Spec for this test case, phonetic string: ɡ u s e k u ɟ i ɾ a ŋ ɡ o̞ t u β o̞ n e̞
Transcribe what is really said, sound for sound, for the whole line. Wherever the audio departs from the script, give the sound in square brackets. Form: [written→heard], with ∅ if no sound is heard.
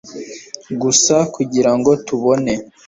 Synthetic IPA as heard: ɡ u s [e→a] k u ɟ i ɾ a ŋ ɡ o̞ t u β o̞ n e̞

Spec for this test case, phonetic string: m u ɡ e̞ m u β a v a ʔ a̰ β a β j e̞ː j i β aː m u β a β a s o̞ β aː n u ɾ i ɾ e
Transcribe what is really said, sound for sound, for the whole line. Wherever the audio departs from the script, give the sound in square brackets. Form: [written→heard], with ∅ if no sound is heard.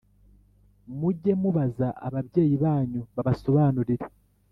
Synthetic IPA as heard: m u [ɡ→ɟ] e̞ m u β a [v→z] a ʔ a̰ β a β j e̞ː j i β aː [m→ɲ] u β a β a s o̞ β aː n u ɾ i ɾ e

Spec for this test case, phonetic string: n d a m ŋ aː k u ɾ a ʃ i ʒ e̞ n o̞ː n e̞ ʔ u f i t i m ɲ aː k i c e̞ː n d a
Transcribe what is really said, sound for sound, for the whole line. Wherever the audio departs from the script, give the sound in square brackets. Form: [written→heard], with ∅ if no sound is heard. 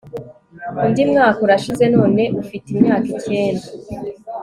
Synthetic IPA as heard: n d [a→i] m ŋ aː k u ɾ a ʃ i [ʒ→z] e̞ n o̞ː n e̞ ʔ u f i t i m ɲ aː k i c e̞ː n d a

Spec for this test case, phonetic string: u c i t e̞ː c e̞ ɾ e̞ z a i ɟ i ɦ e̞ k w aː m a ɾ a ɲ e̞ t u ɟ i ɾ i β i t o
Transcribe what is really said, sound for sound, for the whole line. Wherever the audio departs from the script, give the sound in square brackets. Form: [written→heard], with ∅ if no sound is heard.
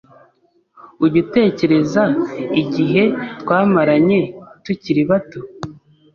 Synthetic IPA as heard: u [c→ɟ] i t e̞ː c e̞ ɾ e̞ z a i ɟ i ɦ e̞ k w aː m a ɾ a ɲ e̞ t u [ɟ→c] i ɾ i β [i→a] t o

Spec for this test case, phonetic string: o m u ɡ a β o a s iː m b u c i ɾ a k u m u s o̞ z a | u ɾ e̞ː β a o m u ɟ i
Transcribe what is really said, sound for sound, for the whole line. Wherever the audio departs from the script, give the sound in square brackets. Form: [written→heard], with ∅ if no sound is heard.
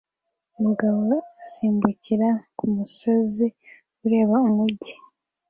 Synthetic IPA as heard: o m u ɡ a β o a s iː m b u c i ɾ a k u m u s o̞ z [a→i] | u ɾ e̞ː β a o m u ɟ i

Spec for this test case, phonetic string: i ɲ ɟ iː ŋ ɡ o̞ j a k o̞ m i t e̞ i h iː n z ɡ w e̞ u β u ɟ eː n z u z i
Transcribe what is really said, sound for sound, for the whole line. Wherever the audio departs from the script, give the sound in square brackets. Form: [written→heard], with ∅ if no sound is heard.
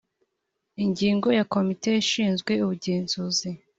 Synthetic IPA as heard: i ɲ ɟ iː ŋ ɡ o̞ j a k o̞ m i t e̞ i [h→ʃ] iː n z ɡ w e̞ u β u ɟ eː n z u z i

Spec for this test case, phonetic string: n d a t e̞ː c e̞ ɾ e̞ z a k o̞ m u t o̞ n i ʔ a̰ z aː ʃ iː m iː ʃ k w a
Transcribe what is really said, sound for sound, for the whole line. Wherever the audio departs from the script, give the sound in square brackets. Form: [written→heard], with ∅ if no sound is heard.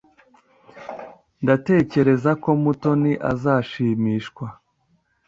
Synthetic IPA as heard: n d a t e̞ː c e̞ ɾ e̞ z a k o̞ m u t o̞ n i ʔ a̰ z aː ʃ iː m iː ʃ k w a

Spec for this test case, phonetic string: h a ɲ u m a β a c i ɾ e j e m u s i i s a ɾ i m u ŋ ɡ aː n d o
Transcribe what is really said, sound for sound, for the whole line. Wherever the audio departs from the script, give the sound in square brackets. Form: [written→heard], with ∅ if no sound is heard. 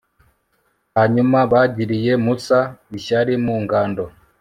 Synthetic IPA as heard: h a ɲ u m a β a [c→ɟ] i ɾ [e→i] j e m u s [i→a] i [s→ʃ] a ɾ i m u ŋ ɡ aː n d o

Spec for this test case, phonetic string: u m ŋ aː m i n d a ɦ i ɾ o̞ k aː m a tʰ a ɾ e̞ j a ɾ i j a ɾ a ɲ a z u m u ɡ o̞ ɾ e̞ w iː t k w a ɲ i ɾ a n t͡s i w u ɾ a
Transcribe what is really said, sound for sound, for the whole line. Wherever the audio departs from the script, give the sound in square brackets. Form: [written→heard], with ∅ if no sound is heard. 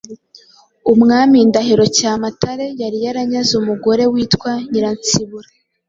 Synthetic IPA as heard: u m ŋ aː m i n d a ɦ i ɾ o̞ [k→c] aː m a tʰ a ɾ e̞ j a ɾ i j a ɾ a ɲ a z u m u ɡ o̞ ɾ e̞ w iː t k w a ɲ i ɾ a n t͡s i [w→β] u ɾ a

